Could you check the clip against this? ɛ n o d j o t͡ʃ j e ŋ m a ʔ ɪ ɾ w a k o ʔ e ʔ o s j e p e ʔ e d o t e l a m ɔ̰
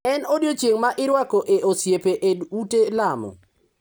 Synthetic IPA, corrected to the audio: ɛ n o d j o t͡ʃ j e ŋ m a ʔ ɪ ɾ w a k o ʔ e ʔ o s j e p e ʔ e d u t e l a m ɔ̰

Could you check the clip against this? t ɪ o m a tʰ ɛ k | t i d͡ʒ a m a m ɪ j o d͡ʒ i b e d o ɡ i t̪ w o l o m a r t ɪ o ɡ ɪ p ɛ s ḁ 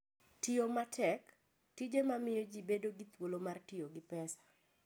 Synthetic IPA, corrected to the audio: t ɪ o m a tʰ ɛ k | t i d͡ʒ e m a m ɪ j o d͡ʒ i b e d o ɡ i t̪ w o l o m a r t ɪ o ɡ ɪ p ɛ s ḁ

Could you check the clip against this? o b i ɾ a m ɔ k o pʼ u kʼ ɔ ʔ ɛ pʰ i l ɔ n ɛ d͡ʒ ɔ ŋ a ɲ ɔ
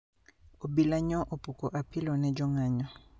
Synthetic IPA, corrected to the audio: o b i l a ɲ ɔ ʔ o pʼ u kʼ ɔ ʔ a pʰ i l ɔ n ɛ d͡ʒ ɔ ŋ a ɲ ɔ

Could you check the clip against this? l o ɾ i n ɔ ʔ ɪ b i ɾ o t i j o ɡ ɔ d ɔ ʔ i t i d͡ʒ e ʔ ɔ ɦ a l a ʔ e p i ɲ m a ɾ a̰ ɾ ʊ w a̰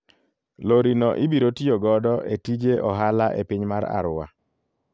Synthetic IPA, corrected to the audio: l o ɾ i n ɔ ʔ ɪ b i ɾ o t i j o ɡ ɔ d ɔ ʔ e t i d͡ʒ e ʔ ɔ ɦ a l a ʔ e p i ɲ m a ɾ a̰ ɾ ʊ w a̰

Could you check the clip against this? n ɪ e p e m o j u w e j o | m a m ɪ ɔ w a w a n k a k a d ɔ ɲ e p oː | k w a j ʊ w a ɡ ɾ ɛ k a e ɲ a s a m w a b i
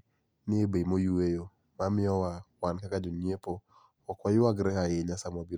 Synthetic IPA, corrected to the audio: n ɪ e b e m o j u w e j o | m a m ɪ ɔ w a w a n k a k a d͡ʒ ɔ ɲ e p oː | k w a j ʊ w a ɡ ɾ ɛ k a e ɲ a s a m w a b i

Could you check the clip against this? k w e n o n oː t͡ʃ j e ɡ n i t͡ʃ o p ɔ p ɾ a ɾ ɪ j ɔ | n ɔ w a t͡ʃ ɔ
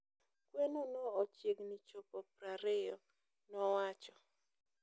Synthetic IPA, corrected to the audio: k w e n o n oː t͡ʃ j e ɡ n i t͡ʃ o p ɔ p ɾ a ɾ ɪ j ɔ | n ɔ w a t͡ʃ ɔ

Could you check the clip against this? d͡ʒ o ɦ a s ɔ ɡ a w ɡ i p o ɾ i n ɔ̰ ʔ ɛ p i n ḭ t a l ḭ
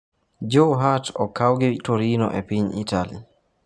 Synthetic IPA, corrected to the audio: d͡ʒ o ɦ a t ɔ k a w ɡ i t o ɾ i n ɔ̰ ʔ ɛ p i ɲ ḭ t a l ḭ

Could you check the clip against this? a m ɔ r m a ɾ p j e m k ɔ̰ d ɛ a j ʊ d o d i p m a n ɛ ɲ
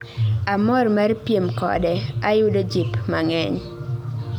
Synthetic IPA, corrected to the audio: a m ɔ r m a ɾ p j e m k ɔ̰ d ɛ a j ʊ d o d͡ʒ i p m a ŋ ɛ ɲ

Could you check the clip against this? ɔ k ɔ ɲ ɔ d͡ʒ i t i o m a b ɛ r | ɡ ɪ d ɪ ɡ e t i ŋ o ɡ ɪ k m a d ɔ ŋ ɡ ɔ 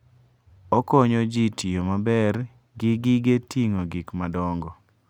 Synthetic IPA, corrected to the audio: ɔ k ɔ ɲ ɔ d͡ʒ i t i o m a b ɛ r | ɡ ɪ ɡ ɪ ɡ e t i ŋ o ɡ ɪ k m a d ɔ ŋ ɡ ɔ

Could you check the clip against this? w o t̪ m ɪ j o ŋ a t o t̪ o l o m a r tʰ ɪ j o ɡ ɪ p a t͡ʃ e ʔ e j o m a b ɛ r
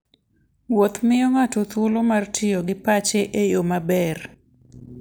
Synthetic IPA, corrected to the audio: w o t̪ m ɪ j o ŋ a t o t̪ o l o m a r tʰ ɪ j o ɡ ɪ p a t͡ʃ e ʔ e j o m a b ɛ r

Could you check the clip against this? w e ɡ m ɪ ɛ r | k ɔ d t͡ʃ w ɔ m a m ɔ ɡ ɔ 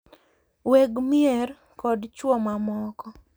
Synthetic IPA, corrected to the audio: w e ɡ m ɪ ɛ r | k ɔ d t͡ʃ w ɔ m a m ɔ k ɔ

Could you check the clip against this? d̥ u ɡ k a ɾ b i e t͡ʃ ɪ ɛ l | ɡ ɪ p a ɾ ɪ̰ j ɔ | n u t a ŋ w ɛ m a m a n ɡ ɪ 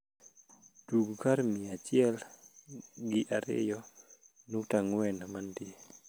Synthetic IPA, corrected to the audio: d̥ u ɡ k a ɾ m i a t͡ʃ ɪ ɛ l | ɡ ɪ ʔ a ɾ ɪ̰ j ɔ | n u t a ŋ w ɛ n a m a n d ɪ

